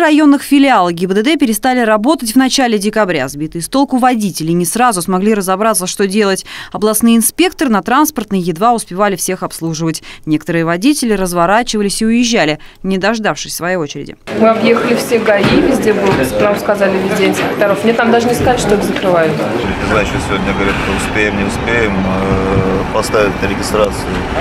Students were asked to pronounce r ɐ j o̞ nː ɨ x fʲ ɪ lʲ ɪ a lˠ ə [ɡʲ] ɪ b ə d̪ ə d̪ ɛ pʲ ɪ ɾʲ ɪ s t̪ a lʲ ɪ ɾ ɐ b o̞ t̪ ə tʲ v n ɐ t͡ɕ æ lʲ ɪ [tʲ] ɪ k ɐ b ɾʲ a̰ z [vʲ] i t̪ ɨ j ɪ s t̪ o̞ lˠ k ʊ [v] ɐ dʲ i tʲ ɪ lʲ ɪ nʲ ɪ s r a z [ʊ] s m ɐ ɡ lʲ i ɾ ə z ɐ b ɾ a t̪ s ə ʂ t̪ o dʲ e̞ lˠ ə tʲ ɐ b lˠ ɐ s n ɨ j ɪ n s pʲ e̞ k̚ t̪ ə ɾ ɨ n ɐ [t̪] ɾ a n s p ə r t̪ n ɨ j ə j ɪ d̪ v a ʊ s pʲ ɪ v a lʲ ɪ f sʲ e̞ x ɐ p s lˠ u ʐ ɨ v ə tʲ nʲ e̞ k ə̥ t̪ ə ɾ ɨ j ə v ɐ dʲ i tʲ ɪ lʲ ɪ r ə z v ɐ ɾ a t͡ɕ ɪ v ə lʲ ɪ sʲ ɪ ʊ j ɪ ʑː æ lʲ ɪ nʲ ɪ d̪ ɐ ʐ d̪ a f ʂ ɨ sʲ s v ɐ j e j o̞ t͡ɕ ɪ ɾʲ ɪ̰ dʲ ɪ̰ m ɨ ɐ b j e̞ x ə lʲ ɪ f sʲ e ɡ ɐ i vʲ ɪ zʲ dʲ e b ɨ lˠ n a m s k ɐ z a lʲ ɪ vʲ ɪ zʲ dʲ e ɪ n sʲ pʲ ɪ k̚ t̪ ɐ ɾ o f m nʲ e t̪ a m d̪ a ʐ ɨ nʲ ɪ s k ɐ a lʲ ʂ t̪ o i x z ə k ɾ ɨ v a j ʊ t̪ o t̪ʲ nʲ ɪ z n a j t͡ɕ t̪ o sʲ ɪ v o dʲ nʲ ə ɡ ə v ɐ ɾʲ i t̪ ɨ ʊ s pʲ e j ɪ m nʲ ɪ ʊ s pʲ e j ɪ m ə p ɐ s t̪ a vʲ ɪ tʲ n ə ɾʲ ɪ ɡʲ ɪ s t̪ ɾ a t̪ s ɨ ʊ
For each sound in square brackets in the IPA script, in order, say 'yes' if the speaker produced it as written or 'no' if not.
yes, no, no, yes, yes, yes

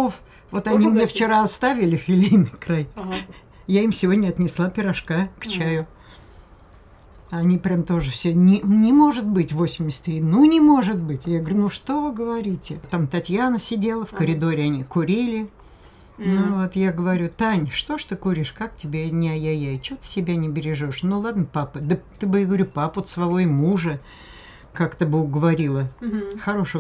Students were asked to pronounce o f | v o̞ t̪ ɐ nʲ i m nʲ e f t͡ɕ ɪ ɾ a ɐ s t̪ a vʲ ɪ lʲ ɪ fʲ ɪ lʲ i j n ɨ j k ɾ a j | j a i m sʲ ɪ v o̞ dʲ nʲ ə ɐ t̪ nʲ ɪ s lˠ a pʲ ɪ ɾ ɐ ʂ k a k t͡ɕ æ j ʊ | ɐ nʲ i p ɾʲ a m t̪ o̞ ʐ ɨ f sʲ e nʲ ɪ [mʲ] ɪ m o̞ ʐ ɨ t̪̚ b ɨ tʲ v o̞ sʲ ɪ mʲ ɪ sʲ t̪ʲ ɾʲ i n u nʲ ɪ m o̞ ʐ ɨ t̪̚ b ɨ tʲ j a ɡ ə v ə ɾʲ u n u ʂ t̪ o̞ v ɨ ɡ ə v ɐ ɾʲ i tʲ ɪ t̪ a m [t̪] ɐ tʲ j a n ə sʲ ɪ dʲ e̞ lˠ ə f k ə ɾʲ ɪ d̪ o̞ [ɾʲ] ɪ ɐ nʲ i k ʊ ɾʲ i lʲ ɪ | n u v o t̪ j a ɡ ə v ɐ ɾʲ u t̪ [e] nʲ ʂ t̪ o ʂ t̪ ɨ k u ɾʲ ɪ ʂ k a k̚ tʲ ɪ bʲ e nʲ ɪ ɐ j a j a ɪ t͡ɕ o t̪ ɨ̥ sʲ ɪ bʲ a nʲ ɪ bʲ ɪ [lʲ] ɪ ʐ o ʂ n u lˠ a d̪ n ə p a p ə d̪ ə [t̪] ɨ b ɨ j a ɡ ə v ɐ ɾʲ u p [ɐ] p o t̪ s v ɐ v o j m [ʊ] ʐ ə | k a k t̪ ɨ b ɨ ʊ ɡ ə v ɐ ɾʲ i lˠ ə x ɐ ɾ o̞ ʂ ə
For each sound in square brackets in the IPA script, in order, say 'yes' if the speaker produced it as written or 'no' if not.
no, yes, yes, no, no, yes, no, no

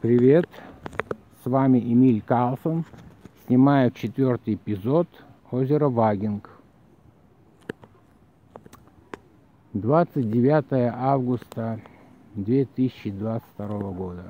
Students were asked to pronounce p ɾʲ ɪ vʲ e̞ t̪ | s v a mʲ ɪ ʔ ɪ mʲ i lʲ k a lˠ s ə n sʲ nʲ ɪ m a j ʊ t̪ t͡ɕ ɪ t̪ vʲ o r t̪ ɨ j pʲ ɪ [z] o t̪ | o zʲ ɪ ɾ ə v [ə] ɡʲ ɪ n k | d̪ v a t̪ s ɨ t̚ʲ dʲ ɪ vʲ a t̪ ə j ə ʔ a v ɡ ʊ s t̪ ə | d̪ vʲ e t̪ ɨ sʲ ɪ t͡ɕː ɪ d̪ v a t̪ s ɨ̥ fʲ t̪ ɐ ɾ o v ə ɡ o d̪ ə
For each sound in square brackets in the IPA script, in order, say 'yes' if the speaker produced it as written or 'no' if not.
yes, no

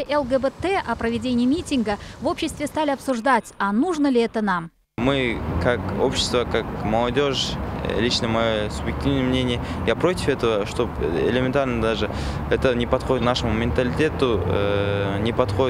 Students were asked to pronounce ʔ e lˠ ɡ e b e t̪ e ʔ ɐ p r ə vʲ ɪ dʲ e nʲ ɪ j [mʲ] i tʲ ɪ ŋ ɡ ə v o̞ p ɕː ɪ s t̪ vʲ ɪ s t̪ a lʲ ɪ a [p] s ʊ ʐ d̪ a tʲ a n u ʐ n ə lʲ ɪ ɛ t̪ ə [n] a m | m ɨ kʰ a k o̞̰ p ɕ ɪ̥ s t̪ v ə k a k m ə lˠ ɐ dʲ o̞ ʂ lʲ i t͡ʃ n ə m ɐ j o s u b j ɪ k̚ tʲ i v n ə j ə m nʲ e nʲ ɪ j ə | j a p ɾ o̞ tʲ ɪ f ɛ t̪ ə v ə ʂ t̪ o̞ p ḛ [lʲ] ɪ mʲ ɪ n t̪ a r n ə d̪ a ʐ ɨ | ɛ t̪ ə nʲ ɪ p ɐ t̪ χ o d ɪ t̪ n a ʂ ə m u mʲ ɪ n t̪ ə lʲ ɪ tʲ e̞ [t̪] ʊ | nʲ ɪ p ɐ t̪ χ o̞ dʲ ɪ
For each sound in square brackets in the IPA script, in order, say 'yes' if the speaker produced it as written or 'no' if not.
yes, yes, yes, yes, yes

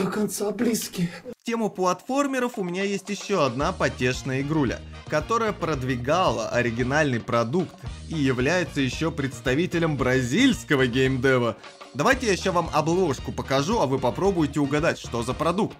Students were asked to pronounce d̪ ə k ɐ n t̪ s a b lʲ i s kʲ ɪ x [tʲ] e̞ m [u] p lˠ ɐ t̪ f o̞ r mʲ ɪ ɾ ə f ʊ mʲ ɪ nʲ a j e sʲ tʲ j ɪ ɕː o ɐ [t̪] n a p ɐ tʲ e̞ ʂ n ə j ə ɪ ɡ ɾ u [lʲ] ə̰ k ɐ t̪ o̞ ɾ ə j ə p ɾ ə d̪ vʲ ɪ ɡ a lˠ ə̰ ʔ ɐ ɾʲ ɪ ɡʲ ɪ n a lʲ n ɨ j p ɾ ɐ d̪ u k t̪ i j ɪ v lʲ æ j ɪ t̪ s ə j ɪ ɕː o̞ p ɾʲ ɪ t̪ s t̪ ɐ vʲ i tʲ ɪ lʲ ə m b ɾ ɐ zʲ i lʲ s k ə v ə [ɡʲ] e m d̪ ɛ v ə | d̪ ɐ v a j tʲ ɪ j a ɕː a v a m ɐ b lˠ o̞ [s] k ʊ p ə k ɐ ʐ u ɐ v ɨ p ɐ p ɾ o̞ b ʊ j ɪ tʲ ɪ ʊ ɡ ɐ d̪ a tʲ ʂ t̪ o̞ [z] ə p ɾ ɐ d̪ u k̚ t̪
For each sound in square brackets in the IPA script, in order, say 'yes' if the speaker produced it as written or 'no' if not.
yes, no, no, yes, yes, no, yes

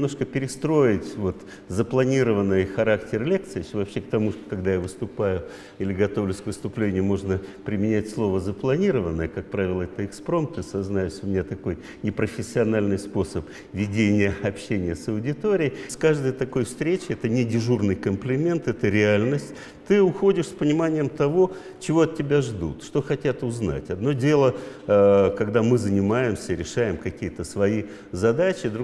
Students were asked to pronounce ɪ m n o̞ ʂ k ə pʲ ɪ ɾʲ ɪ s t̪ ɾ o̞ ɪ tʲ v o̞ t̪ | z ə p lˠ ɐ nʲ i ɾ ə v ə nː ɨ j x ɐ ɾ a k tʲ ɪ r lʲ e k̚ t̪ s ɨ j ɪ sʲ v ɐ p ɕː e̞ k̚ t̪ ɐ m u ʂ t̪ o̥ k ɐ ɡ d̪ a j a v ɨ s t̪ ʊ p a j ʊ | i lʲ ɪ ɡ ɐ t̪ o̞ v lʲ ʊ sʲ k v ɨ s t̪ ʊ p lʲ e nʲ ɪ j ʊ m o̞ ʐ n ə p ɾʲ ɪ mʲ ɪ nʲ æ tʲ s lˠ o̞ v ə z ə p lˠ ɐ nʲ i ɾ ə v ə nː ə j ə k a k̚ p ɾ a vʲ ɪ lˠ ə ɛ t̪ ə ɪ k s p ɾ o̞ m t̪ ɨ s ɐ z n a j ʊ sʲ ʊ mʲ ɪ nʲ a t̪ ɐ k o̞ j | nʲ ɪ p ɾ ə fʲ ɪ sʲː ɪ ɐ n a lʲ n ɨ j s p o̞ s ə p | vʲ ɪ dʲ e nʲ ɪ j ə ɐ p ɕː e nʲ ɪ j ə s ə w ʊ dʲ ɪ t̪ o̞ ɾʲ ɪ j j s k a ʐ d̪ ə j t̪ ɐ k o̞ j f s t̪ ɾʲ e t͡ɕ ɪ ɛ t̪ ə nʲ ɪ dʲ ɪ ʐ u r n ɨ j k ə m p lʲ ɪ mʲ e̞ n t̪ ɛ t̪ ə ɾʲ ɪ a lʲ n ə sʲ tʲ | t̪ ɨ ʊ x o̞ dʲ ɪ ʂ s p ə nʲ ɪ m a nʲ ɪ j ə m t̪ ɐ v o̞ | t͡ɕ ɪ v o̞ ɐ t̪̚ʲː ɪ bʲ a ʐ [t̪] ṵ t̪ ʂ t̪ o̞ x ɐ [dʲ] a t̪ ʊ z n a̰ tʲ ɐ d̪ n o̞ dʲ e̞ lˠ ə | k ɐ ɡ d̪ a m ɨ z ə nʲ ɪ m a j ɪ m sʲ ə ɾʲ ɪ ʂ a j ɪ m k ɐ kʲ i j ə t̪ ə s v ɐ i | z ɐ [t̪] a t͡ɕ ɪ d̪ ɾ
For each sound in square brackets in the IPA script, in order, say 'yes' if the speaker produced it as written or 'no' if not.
no, no, no

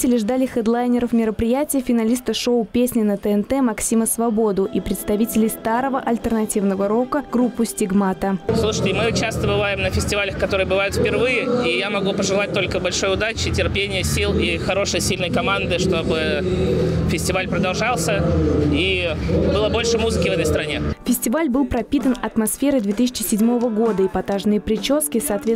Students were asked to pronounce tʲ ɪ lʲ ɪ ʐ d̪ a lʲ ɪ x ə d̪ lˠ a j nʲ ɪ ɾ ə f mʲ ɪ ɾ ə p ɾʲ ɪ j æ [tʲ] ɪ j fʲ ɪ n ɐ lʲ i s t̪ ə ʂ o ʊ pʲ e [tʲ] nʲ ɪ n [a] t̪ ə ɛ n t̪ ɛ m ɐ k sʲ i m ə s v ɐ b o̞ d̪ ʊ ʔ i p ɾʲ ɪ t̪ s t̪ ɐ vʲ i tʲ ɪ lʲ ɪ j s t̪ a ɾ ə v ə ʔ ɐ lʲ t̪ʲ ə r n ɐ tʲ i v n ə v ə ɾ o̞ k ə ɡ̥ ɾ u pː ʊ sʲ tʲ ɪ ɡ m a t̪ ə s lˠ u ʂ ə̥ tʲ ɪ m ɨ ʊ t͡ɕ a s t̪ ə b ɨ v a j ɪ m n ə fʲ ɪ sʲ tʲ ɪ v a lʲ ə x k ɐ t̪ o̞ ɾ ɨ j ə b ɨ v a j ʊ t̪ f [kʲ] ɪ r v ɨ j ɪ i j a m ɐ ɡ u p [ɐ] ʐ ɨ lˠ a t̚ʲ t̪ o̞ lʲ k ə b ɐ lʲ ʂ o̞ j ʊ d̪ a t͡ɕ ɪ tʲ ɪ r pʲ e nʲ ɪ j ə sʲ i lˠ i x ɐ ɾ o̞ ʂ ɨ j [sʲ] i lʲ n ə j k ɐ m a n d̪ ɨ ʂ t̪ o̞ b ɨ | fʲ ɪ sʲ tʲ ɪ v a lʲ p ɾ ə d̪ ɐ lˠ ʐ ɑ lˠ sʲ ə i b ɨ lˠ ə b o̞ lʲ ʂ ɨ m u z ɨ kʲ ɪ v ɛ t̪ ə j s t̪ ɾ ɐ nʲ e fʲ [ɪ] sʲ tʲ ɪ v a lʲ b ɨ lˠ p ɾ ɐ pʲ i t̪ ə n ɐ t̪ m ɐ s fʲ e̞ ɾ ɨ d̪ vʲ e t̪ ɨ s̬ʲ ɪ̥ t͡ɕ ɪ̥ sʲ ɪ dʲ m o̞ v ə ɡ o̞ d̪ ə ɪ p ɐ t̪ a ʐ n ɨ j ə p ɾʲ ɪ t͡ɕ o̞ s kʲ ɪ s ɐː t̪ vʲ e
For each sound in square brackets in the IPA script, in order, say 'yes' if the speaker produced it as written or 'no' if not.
yes, no, no, no, no, yes, yes

